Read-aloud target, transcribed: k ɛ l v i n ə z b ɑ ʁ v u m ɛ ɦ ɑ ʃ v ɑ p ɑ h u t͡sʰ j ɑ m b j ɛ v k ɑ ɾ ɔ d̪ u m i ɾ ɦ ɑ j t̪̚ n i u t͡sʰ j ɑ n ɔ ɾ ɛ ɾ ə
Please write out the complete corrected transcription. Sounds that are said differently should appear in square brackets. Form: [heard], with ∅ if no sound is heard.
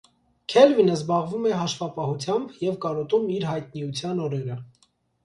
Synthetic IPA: [kʰ] ɛ l v i n ə z b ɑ ʁ v u m ɛ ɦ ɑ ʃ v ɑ p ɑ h u t͡sʰ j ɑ m b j ɛ v k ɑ ɾ ɔ [t̪] u m i ɾ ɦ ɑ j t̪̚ n i u t͡sʰ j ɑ n ɔ ɾ ɛ ɾ ə